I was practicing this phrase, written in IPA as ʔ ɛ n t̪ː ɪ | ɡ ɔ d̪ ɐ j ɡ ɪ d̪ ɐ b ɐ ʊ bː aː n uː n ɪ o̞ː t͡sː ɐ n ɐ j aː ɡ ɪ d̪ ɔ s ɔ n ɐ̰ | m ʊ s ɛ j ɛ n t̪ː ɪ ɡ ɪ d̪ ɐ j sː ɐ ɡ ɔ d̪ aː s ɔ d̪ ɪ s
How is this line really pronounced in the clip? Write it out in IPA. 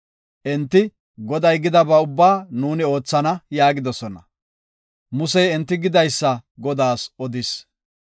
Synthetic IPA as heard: ʔ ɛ n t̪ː ɪ | ɡ ɔ d̪ ɐ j ɡ ɪ d̪ ɐ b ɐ ʊ bː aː n uː n ɪ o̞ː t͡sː ɐ n ɐ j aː ɡ ɪ d̪ ɔ s ɔ n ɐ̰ | m ʊ s ɛ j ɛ n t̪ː ɪ ɡ ɪ d̪ ɐ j sː ɐ ɡ ɔ d̪ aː s ɔ d̪ ɪ s

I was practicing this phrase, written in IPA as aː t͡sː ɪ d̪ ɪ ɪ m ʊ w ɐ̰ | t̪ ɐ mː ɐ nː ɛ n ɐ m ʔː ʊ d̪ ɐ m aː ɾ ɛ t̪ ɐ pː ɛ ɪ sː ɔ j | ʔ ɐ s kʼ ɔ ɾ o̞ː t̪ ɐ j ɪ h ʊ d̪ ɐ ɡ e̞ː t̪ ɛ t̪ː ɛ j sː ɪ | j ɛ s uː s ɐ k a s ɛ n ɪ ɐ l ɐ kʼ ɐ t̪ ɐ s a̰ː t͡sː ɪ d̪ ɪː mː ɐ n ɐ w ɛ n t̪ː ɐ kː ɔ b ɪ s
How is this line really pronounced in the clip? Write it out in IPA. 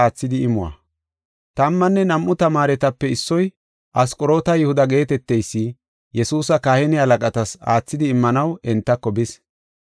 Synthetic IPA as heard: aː t͡sː ɪ d̪ ɪ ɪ m ʊ w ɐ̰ | t̪ ɐ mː ɐ nː ɛ n ɐ m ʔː ʊ t̪ ɐ m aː ɾ ɛ t̪ ɐ pː ɛ ɪ sː ɔ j | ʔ ɐ s kʼ ɔ ɾ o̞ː t̪ ɐ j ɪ h ʊ d̪ ɐ ɡ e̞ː t̪ ɛ t̪ː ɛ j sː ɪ | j ɛ s uː s ɐ k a h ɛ n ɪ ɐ l ɐ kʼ ɐ t̪ ɐ s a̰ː t͡sː ɪ d̪ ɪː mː ɐ n ɐ w ɛ n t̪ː ɐ kː ɔ b ɪ s

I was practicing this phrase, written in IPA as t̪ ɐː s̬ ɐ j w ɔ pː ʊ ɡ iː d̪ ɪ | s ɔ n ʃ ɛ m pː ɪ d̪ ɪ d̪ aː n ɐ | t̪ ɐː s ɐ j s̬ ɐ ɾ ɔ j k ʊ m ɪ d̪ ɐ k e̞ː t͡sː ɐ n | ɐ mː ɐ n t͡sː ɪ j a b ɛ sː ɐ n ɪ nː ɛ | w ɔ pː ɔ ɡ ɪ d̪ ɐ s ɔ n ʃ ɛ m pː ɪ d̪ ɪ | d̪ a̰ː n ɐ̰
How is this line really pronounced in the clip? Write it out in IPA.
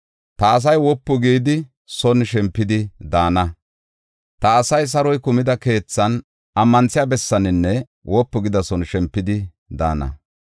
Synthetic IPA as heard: t̪ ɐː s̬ ɐ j w ɔ pː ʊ ɡ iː d̪ ɪ | s ɔ n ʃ ɛ m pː ɪ d̪ ɪ d̪ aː n ɐ | t̪ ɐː s ɐ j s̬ ɐ ɾ ɔ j k ʊ m ɪ d̪ ɐ k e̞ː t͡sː ɐ n | ɐ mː ɐ n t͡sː ɪ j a b ɛ sː ɐ n ɪ nː ɛ | w ɔ pː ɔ ɡ ɪ d̪ ɐ s ɔ n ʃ ɛ m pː ɪ d̪ ɪ | d̪ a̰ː n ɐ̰

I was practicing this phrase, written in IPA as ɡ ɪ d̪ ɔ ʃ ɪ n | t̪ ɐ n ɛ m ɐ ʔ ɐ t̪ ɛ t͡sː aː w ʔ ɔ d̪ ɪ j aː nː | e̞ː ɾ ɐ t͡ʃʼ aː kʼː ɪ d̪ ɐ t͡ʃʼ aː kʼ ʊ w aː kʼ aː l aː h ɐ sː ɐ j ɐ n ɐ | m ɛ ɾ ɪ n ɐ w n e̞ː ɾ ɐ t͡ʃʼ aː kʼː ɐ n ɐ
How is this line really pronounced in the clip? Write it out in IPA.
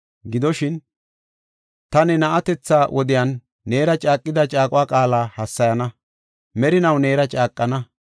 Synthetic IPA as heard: ɡ ɪ d̪ ɔ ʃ ɪ n | t̪ ɐ n ɛ n ɐ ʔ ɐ t̪ ɛ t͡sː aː w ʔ ɔ d̪ ɪ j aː nː | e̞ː ɾ ɐ t͡ʃʼ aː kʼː ɪ d̪ ɐ t͡ʃʼ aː kʼ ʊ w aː kʼ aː l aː h ɐ sː ɐ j ɐ n ɐ | m ɛ ɾ ɪ n ɐ w n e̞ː ɾ ɐ t͡ʃʼ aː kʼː ɐ n ɐ

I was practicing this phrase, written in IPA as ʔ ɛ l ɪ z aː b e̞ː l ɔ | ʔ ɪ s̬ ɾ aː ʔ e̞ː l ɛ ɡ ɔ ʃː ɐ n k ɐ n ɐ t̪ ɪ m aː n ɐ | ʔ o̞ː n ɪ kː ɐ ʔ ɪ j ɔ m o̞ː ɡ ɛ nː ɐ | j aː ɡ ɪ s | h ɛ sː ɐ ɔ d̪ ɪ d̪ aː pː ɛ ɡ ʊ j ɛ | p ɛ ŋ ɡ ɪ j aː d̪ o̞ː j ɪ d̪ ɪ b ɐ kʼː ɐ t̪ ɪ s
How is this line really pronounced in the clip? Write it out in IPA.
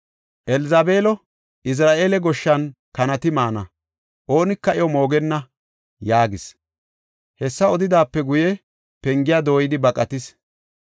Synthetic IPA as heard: ʔ ɛ l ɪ z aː b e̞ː l ɔ | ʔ ɪ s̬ ɾ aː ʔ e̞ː l ɛ ɡ ɔ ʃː ɐ n k ɐ n ɐ t̪ ɪ m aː n ɐ | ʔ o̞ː n ɪ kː ɐ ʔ ɪ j ɔ m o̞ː ɡ ɛ nː ɐ | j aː ɡ ɪ s | h ɛ sː ɐ ɔ d̪ ɪ d̪ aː pː ɛ ɡ ʊ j ɛ | p ɛ ŋ ɡ ɪ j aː d̪ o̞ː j ɪ d̪ ɪ b ɐ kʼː ɐ t̪ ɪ s

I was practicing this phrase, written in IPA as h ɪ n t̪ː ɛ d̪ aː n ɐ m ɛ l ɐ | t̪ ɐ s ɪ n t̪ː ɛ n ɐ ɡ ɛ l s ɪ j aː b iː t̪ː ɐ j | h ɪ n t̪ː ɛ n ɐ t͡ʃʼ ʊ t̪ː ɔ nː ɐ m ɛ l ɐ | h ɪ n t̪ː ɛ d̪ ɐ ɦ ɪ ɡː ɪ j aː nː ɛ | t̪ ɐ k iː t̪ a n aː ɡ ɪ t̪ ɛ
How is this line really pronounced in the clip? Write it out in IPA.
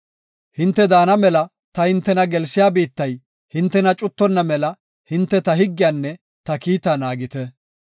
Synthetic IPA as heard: h ɪ n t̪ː ɛ d̪ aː n ɐ m ɛ l ɐ | t̪ ɐ h ɪ n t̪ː ɛ n ɐ ɡ ɛ l s ɪ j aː b iː t̪ː ɐ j | h ɪ n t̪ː ɛ n ɐ t͡ʃʼ ʊ t̪ː ɔ nː ɐ m ɛ l ɐ | h ɪ n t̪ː ɛ t̪ ɐ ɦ ɪ ɡː ɪ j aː nː ɛ | t̪ ɐ k iː t̪ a n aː ɡ ɪ t̪ ɛ

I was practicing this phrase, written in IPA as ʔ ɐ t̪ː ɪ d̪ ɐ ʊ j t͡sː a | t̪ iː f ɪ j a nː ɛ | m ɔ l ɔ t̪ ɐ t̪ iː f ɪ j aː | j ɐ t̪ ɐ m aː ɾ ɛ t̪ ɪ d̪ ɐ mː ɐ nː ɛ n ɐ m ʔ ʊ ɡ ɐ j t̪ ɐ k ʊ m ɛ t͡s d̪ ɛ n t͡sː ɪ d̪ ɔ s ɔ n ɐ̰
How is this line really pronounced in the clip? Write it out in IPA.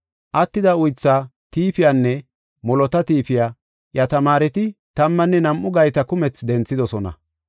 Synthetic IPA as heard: ʔ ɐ t̪ː ɪ d̪ ɐ ʊ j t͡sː a | t̪ iː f ɪ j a nː ɛ | m ɔ l ɔ t̪ ɐ t̪ iː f ɪ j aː | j ɐ t̪ ɐ m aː ɾ ɛ t̪ ɪ t̪ ɐ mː ɐ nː ɛ n ɐ m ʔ ʊ ɡ ɐ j t̪ ɐ k ʊ m ɛ t͡s d̪ ɛ n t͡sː ɪ d̪ ɔ s ɔ n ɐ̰

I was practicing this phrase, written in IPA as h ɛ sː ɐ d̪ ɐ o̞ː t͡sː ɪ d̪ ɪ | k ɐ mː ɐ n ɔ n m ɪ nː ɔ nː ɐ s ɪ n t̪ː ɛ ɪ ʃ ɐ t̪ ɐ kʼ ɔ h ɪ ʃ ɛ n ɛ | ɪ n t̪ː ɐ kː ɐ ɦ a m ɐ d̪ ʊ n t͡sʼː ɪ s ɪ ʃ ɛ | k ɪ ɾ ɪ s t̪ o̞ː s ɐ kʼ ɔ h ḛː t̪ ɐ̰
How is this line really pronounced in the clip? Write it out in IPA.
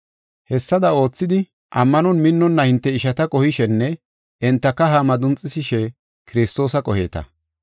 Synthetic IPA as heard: h ɛ sː ɐ d̪ ɐ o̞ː t͡sː ɪ d̪ ɪ | ʔ ɐ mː ɐ n ɔ n m ɪ nː ɔ nː ɐ h ɪ n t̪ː ɛ ɪ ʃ ɐ t̪ ɐ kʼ ɔ h ɪ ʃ ɛ nː ɛ | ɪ n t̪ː ɐ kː ɐ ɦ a m ɐ d̪ ʊ n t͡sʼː ɪ s ɪ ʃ ɛ | k ɪ ɾ ɪ s t̪ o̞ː s ɐ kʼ ɔ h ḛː t̪ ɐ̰

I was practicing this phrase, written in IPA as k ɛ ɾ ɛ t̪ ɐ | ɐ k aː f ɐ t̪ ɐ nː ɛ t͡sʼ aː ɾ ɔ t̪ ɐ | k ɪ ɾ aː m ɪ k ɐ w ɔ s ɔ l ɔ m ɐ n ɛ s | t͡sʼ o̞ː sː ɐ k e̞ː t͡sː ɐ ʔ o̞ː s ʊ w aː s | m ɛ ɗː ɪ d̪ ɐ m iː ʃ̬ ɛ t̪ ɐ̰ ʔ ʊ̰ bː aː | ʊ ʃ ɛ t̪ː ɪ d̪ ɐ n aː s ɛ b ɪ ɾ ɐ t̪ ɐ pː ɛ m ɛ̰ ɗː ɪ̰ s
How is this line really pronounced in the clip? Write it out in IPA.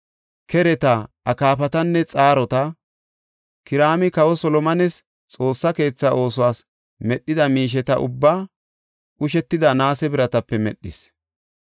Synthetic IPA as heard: k ɛ ɾ ɛ t̪ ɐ | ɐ k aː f ɐ t̪ ɐ nː ɛ t͡sʼ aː ɾ ɔ t̪ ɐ | k ɪ ɾ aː m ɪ k ɐ w ɔ s ɔ l ɔ m ɐ n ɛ s | t͡sʼ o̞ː sː ɐ k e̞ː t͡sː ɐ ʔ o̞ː s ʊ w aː s | m ɛ ɗː ɪ d̪ ɐ m iː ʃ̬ ɛ t̪ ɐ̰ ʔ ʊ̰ bː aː | ʊ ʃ ɛ t̪ː ɪ d̪ ɐ n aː s ɛ b ɪ ɾ ɐ t̪ ɐ pː ɛ m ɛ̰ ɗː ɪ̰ s

